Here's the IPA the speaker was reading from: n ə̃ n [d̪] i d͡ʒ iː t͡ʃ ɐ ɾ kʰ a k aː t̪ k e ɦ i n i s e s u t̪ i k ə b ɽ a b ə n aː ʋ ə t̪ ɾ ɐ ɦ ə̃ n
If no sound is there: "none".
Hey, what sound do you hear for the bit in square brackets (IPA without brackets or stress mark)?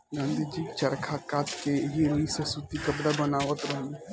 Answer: d̪